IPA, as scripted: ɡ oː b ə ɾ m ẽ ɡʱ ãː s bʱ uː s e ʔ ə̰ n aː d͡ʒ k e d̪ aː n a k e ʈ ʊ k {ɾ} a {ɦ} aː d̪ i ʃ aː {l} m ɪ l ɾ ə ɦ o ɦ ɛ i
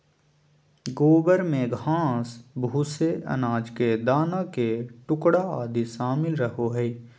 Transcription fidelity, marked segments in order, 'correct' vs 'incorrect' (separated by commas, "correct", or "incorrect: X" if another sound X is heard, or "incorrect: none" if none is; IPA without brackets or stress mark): incorrect: ɽ, incorrect: none, incorrect: none